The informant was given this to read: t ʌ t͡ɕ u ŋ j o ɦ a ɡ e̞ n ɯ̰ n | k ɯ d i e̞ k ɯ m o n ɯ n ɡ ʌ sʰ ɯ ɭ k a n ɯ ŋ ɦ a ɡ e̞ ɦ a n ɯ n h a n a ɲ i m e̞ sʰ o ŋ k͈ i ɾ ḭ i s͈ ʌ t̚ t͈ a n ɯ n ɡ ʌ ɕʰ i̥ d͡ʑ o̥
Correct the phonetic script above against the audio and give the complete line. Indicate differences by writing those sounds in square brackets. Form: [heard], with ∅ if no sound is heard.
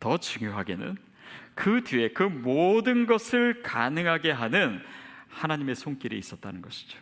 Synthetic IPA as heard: t ʌ t͡ɕ u ŋ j o ɦ a ɡ e̞ n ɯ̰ n | k ɯ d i e̞ k ɯ m o [d] ɯ n ɡ ʌ sʰ ɯ ɭ k a n ɯ ŋ ɦ a ɡ e̞ ɦ a n ɯ n h a n a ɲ i m e̞ sʰ o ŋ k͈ i ɾ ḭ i s͈ ʌ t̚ t͈ a n ɯ n ɡ ʌ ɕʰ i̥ d͡ʑ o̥